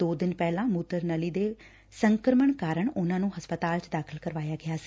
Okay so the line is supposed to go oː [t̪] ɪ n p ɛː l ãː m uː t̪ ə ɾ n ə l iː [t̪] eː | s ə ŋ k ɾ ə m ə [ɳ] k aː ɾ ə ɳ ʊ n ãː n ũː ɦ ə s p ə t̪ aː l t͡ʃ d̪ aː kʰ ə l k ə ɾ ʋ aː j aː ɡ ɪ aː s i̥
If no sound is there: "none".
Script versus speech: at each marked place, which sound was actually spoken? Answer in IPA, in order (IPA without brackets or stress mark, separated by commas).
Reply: d̪, d̪, ɳ